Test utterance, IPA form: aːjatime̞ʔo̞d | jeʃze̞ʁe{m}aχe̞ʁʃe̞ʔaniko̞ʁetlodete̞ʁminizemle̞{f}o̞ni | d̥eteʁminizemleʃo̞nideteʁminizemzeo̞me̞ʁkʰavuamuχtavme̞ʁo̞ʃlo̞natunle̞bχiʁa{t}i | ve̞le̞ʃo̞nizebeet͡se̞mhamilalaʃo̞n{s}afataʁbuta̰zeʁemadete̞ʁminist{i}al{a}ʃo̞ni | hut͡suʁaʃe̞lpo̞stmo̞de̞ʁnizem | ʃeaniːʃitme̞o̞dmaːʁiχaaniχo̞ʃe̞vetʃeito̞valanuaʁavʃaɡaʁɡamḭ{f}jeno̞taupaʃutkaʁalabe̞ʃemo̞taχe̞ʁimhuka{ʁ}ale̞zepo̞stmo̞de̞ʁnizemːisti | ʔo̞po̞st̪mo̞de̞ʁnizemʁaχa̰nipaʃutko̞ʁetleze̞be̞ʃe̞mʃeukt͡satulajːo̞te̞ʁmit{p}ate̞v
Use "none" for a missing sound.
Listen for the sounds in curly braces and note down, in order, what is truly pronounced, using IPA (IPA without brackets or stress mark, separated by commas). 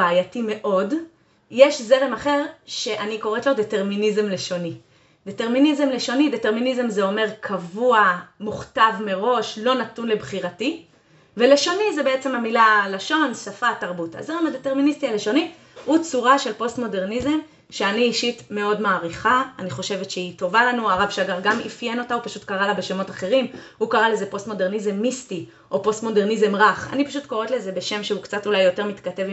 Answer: m, ʃ, t, s, i, e, f, ʁ, k